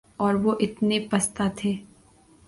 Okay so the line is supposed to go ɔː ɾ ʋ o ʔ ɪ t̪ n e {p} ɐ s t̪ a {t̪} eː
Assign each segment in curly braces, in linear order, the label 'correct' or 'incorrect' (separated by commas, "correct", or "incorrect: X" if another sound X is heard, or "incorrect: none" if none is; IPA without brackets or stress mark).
correct, incorrect: t̪ʰ